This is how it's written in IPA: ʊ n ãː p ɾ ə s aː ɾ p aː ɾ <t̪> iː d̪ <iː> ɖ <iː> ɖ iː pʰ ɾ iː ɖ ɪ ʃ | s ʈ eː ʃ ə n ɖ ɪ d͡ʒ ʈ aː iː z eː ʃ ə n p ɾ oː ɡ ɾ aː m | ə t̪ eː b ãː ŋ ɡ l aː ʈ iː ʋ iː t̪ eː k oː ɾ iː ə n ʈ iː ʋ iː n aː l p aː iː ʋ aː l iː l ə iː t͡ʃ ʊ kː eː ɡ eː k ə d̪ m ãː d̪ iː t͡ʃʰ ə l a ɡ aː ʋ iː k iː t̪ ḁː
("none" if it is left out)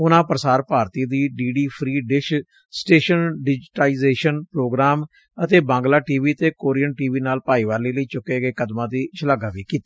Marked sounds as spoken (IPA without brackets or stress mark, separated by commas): t̪, iː, iː